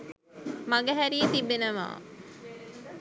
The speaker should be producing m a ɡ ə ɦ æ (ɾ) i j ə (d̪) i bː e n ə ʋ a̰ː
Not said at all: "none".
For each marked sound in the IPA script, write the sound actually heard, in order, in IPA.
ɾ, t̪

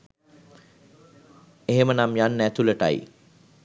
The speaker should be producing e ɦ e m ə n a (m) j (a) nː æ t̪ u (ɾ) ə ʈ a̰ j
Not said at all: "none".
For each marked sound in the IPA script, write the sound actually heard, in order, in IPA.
m, a, l

